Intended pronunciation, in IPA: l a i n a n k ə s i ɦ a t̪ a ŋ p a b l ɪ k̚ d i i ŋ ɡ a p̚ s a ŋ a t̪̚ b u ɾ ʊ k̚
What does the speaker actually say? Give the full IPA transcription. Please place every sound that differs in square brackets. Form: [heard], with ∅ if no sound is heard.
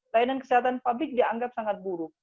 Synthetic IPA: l a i n a n k ə s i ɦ a t̪ a [n] p a b l ɪ k̚ d i [a] ŋ ɡ a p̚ s a ŋ a t̪̚ b u ɾ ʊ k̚